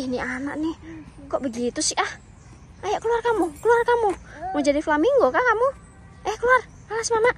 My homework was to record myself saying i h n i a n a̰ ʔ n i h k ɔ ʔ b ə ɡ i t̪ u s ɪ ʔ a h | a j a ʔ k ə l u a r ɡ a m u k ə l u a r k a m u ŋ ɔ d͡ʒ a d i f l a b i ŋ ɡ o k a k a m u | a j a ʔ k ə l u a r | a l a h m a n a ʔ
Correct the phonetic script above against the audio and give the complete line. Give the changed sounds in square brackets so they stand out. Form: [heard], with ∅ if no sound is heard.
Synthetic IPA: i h n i a n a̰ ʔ n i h k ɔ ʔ b ə ɡ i t̪ u s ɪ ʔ a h | a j a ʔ k ə l u a r [k] a m u k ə l u a r k a m u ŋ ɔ d͡ʒ a d i f l a [m] i ŋ ɡ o k a k a m u | a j a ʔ k ə l u a r | a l a [s] m a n a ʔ

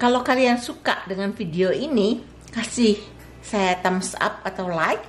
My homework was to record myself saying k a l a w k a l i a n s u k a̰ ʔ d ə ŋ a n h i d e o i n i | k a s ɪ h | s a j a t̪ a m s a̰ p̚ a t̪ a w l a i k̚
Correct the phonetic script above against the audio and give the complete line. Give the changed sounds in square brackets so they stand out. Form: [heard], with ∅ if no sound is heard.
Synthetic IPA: k a l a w k a l i a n s u k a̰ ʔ d ə ŋ a n [f] i d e o i n i | k a s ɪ h | s a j a t̪ a m s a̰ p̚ a t̪ a w l a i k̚

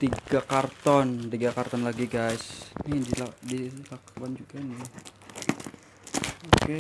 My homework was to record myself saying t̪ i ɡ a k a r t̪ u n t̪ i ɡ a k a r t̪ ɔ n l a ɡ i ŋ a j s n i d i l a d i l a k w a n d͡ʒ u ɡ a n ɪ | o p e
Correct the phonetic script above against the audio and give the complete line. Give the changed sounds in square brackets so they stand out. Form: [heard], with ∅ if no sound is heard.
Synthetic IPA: t̪ i ɡ a k a r t̪ [ɔ] n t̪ i ɡ a k a r t̪ ɔ n l a ɡ i [ɡ] a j s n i d i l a d i l a k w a n d͡ʒ u ɡ a n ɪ | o [k] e

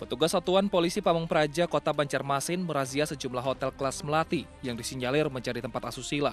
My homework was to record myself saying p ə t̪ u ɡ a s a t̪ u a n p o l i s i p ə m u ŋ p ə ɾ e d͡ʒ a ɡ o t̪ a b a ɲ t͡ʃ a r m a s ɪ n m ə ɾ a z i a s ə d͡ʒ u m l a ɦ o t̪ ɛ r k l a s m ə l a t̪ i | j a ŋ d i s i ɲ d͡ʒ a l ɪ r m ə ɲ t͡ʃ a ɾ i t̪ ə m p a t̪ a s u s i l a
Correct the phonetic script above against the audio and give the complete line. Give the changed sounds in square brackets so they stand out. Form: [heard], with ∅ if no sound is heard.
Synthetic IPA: p ə t̪ u ɡ a s a t̪ u a n p o l i s i p [a] m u ŋ p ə ɾ [a] d͡ʒ a [k] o t̪ a b a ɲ t͡ʃ a r m a s ɪ n m ə ɾ a z i a s ə d͡ʒ u m l a ɦ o t̪ ɛ [l] k l a s m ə l a t̪ i | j a ŋ d i s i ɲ d͡ʒ a l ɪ r m ə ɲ t͡ʃ a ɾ i t̪ ə m p a t̪ a s u s i l a

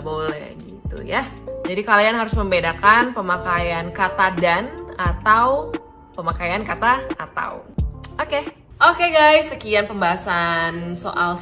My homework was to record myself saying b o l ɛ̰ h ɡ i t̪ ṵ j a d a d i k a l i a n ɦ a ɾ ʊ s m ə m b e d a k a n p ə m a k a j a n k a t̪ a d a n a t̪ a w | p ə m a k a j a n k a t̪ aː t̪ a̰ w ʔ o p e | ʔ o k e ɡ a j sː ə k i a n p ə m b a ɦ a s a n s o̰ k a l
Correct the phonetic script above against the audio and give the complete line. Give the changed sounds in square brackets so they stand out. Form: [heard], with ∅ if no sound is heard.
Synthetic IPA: b o l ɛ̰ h ɡ i t̪ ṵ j a [d͡ʒ] a d i k a l i a n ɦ a ɾ ʊ s m ə m b e d a k a n p ə m a k a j a n k a t̪ a d a n a t̪ a w | p ə m a k a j a n k a t̪ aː t̪ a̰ w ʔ o [k] e | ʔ o k e ɡ a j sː ə k i a n p ə m b a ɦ a s a n s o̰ [ʔ] a l

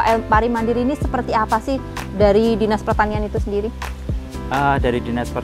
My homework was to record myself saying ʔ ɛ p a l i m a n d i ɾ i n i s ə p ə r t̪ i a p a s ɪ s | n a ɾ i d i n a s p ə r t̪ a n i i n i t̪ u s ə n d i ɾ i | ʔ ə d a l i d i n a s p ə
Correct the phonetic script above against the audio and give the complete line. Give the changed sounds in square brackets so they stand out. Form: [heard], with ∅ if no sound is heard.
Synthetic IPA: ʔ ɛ p a [ɾ] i m a n d i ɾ i n i s ə p ə r t̪ i a p a s ɪ [h] | [d] a ɾ i d i n a s p ə r t̪ a n i [a] n i t̪ u s ə n d i ɾ i | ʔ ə d a [ɾ] i d i n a s p ə

